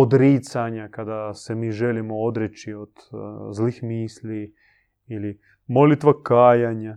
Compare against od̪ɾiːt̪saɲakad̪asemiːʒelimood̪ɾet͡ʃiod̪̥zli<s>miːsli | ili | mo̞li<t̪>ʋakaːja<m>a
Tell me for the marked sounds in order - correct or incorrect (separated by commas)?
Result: incorrect, correct, incorrect